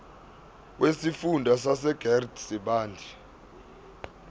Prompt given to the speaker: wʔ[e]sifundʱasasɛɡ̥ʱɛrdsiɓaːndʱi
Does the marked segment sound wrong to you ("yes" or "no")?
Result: no